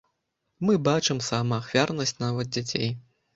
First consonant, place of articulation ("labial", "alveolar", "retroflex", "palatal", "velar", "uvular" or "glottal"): labial